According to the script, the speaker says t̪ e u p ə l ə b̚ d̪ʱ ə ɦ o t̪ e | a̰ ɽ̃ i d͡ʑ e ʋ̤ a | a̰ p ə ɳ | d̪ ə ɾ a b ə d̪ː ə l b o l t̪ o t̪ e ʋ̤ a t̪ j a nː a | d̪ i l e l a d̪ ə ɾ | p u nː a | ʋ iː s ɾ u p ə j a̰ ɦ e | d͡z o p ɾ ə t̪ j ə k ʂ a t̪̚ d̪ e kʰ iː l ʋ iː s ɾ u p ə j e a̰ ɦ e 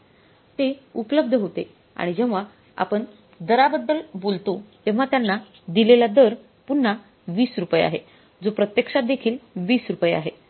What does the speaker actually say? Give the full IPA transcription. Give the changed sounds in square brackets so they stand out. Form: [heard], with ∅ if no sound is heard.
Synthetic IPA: t̪ e u p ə l ə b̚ d̪ʱ ə ɦ o t̪ e | a̰ ɽ̃ i d͡ʑ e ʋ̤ a | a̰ p ə ɳ | d̪ ə ɾ a b ə d̪ː ə l b o l t̪ o t̪ e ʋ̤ a t̪ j a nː a | d̪ i l e l a d̪ ə ɾ | p u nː a | ʋ iː s ɾ u p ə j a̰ ɦ e | d͡z o p ɾ ə t̪ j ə k ʂ a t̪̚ d̪ e kʰ iː l ʋ iː s ɾ u p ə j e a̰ ɦ e